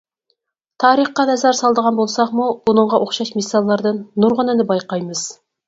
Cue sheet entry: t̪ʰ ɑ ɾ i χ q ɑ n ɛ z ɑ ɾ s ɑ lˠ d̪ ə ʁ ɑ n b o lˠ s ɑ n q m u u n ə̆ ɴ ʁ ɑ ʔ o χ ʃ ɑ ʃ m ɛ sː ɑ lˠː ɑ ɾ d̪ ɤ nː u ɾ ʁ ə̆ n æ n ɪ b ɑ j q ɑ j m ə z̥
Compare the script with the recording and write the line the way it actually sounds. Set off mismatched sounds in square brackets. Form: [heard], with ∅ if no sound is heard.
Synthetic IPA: t̪ʰ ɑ ɾ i χ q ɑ n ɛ z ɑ ɾ s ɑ lˠ d̪ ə ʁ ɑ n b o lˠ s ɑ [∅] q m u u n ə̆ ɴ ʁ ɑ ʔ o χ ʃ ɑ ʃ m [i] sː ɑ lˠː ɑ ɾ d̪ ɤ nː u ɾ ʁ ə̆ n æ n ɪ b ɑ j q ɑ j m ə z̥